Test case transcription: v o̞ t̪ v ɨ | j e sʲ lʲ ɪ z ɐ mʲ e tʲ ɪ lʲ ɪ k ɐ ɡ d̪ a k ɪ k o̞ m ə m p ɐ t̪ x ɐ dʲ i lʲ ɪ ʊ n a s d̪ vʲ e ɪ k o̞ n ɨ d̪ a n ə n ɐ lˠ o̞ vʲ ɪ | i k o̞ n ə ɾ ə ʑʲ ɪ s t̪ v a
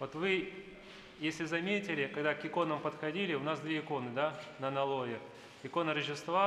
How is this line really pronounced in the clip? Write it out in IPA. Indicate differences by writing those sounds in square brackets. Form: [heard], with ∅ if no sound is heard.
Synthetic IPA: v o̞ t̪ v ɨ | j e sʲ lʲ ɪ z ɐ mʲ e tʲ ɪ lʲ ɪ k ɐ ɡ d̪ a k ɪ k o̞ [n] ə m p [ə] t̪ x ɐ dʲ i lʲ ɪ ʊ n a s d̪ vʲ e ɪ k o̞ n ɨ d̪ a n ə n ɐ lˠ o̞ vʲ ɪ | [ɪ] k o̞ n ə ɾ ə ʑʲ ɪ s t̪ v a